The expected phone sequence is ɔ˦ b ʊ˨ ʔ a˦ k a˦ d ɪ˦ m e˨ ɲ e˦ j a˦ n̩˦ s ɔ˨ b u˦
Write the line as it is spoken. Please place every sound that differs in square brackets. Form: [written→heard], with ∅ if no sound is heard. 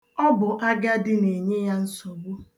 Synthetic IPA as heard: ɔ˦ b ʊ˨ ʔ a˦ [k→ɡ] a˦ d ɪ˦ [m→n] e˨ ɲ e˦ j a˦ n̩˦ s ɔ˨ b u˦